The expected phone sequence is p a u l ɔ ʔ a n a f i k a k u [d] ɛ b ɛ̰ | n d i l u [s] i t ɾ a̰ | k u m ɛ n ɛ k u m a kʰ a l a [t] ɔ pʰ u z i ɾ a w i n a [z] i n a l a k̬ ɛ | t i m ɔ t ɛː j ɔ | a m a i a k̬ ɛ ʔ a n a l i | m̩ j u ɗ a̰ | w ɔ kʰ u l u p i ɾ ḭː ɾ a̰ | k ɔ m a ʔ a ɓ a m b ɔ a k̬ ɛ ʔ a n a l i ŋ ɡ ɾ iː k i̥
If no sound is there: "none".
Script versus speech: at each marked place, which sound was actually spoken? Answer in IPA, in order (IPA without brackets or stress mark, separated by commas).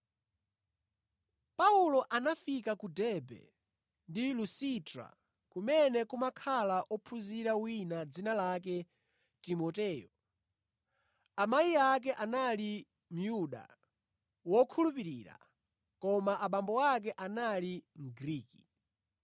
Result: d, s, ʔ, d͡z